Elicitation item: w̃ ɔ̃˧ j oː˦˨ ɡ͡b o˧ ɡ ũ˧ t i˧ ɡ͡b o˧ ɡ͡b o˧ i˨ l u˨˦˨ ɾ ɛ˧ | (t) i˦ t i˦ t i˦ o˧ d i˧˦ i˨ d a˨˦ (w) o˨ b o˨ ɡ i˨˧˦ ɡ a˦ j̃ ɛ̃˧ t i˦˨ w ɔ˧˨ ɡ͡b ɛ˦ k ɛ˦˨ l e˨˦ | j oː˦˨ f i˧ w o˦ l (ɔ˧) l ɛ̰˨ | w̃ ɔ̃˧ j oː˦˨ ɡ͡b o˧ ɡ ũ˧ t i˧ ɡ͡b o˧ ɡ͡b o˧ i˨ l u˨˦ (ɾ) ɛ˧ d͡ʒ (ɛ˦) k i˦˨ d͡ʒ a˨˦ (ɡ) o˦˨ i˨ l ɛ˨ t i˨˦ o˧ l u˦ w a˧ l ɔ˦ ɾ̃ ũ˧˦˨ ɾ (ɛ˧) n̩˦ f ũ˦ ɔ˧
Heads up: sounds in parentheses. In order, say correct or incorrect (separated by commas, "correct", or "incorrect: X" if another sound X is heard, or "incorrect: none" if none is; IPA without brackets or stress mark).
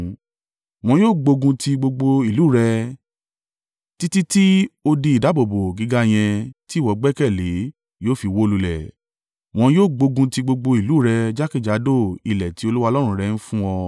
correct, incorrect: b, incorrect: u˧, correct, incorrect: a˦, incorrect: d, correct